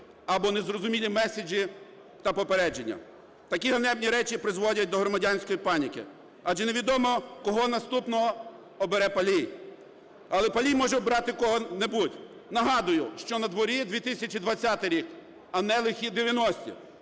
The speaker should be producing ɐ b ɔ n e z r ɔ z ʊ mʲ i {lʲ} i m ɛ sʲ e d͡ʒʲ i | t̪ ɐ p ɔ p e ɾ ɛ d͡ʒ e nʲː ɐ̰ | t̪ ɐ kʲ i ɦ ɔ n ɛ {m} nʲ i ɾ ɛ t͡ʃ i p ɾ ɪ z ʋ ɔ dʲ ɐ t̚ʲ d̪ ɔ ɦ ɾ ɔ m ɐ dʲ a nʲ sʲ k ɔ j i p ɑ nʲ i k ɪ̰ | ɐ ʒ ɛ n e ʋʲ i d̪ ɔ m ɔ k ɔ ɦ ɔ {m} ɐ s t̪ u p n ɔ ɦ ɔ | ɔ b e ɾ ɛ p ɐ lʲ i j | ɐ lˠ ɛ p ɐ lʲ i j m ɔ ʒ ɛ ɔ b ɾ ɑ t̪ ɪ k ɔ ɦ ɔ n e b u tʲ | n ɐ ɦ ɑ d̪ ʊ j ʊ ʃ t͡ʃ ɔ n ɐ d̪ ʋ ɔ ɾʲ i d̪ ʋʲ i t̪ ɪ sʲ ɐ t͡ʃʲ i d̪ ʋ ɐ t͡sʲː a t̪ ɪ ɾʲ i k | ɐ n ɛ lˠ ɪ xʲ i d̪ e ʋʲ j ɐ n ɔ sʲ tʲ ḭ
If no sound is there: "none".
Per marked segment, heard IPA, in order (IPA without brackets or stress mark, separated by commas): lʲ, b, n